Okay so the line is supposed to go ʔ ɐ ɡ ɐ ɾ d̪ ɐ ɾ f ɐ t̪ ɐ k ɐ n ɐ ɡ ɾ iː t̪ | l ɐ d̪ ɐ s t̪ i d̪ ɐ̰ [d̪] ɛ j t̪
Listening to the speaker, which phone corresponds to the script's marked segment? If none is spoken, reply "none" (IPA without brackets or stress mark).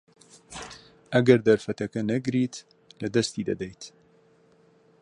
d̪